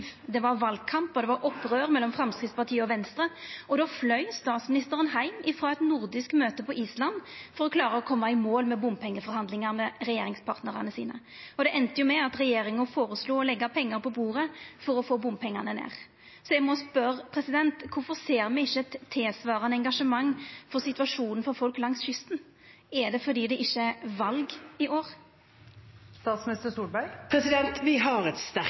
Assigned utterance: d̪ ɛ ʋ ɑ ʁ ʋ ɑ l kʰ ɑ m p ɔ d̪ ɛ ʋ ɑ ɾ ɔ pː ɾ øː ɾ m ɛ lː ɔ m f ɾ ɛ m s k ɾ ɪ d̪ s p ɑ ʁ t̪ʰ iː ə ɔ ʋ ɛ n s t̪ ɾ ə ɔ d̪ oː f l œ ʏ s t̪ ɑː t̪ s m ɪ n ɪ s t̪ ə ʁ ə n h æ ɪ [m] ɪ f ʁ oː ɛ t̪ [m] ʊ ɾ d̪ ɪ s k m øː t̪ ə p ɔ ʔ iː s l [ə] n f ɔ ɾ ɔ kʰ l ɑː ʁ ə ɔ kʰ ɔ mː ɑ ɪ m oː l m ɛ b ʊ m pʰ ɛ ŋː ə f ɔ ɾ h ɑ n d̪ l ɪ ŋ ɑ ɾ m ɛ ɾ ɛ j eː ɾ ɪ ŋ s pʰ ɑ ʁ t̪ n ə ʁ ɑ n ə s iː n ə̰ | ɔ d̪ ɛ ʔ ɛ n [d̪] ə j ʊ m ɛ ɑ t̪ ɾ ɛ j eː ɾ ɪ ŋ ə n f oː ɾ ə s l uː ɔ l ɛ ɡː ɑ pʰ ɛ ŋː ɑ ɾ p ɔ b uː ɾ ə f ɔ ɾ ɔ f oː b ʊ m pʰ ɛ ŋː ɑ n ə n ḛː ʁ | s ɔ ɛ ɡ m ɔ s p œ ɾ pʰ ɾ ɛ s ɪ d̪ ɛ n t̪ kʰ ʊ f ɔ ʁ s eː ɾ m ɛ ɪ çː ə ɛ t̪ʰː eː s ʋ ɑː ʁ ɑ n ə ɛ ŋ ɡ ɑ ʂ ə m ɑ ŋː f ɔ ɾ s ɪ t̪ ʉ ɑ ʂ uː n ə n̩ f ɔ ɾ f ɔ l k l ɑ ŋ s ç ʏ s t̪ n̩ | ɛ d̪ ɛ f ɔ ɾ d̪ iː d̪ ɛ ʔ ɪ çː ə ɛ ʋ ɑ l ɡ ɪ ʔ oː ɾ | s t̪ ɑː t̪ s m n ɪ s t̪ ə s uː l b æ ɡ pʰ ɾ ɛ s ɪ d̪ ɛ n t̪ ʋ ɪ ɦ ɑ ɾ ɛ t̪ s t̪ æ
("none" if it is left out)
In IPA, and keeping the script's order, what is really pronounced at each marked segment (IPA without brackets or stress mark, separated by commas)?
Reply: m, n, ɑ, t̪